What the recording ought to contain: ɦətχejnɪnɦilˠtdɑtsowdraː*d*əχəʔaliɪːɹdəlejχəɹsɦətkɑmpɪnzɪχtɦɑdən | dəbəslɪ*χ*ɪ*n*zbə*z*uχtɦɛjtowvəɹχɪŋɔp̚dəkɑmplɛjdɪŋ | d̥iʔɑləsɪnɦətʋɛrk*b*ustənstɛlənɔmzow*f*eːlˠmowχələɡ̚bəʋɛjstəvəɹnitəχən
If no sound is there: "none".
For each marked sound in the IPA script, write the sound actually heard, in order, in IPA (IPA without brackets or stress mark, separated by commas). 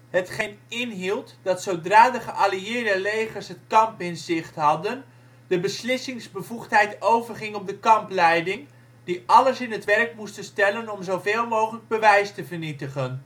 d, s, ŋ, v, m, v